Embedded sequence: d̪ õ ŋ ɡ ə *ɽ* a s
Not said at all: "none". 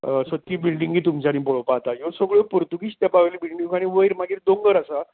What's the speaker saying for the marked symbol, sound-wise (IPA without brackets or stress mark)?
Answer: ɾ